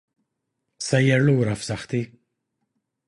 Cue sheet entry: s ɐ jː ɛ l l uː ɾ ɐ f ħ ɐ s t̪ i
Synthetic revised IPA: s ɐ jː ɛ ɾ l uː ɾ ɐ f s ɐ ħ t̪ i

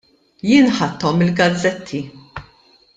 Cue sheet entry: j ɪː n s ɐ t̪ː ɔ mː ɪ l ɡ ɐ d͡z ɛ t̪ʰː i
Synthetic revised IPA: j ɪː n ħ ɐ t̪ː ɔ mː ɪ l ɡ ɐ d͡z ɛ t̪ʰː i

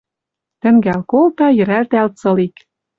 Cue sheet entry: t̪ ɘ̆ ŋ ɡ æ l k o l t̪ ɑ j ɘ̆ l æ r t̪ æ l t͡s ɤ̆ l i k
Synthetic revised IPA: t̪ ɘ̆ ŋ ɡ æ l k o l t̪ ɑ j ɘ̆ ɾ æ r t̪ æ l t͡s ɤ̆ l i k

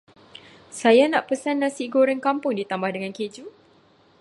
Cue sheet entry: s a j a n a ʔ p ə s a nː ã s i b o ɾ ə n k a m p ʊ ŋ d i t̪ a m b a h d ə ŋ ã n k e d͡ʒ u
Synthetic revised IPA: s a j a n a ʔ p ə s a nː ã s i ɡ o ɾ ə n k a m p ʊ ŋ d i t̪ a m b a h d ə ŋ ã n k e d͡ʒ u

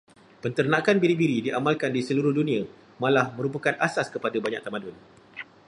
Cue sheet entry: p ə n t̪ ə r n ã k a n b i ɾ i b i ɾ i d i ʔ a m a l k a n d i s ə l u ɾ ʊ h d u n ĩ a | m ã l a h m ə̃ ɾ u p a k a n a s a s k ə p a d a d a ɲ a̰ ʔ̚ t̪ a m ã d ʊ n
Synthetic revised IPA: p ə n t̪ ə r n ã k a n b i ɾ i b i ɾ i d i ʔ a m a l k a n d i s ə l u ɾ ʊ h d u n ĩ a | m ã l a h m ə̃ ɾ u p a k a n a s a s k ə p a d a b a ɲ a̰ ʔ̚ t̪ a m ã d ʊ n

